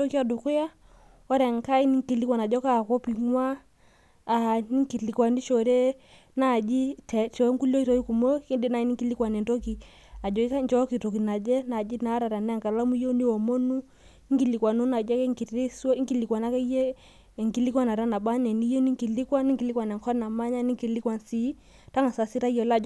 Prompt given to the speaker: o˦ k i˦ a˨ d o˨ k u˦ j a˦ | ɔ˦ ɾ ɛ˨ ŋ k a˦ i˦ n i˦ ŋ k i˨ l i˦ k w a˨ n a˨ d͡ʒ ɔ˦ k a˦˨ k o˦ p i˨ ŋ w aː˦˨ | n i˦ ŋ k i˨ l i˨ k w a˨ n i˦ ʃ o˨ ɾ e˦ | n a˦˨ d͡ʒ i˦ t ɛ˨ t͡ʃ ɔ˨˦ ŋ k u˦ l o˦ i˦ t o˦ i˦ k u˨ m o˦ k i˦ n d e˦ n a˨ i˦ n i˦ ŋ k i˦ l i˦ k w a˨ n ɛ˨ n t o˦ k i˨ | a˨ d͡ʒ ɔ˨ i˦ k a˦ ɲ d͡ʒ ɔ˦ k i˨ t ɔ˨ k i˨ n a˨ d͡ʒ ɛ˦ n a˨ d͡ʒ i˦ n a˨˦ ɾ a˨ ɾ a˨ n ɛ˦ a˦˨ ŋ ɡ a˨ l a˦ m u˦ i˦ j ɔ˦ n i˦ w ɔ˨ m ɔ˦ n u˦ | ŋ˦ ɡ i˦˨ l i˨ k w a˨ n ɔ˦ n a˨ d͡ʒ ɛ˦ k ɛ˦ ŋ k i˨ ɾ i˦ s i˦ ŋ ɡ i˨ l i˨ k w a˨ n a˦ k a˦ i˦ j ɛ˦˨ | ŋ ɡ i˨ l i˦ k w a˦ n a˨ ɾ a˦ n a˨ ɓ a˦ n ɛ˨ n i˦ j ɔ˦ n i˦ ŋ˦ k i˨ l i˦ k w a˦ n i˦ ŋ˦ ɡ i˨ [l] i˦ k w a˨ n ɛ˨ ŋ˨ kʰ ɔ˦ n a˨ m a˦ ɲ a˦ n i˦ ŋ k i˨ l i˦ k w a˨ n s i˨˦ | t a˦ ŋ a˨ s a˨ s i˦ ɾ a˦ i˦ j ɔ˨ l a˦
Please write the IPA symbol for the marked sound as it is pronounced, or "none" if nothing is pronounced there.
l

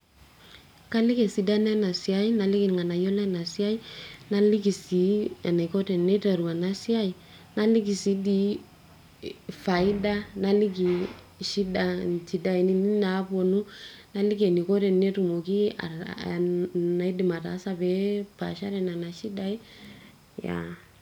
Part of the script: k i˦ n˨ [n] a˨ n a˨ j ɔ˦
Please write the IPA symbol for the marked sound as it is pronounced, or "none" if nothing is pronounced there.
ŋ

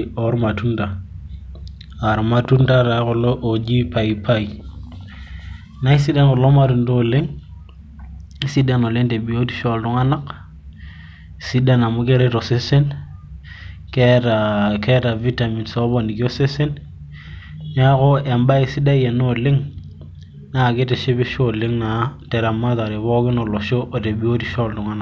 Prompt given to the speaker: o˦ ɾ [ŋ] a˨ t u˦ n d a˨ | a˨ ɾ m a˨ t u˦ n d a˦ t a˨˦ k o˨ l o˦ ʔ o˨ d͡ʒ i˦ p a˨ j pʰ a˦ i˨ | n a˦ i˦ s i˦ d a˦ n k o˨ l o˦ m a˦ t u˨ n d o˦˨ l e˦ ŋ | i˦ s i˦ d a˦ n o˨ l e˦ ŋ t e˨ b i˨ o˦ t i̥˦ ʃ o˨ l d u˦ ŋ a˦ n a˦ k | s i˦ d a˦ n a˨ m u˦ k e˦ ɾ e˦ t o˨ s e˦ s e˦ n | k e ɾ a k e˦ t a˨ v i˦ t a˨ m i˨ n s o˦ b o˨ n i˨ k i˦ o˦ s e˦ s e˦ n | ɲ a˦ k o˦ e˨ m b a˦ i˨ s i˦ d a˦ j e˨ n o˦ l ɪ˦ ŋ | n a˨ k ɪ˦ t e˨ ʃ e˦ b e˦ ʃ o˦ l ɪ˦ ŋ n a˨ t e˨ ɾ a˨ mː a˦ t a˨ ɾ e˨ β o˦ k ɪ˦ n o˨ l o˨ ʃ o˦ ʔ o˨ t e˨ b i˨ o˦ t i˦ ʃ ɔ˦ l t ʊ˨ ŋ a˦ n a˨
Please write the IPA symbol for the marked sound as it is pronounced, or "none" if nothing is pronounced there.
m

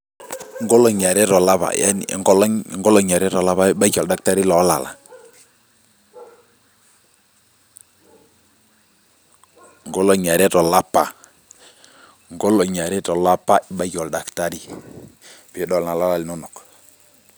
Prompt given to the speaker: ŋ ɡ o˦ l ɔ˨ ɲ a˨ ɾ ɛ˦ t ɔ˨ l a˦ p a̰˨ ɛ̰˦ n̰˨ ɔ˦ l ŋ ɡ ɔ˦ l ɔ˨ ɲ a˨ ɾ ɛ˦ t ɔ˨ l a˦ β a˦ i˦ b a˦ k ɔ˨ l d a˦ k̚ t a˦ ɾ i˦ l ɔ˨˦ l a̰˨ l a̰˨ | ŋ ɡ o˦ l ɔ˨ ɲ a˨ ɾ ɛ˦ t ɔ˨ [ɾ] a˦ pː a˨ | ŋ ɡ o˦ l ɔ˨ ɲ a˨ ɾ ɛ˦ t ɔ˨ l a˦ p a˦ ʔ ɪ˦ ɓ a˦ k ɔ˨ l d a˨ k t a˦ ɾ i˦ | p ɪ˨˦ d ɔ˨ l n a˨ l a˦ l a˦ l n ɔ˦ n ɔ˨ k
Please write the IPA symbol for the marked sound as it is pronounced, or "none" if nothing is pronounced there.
l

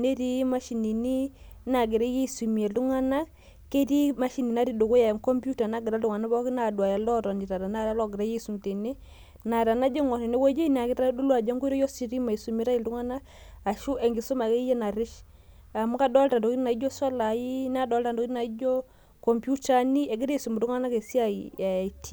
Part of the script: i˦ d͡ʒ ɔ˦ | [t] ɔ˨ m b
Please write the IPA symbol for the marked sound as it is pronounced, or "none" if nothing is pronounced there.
k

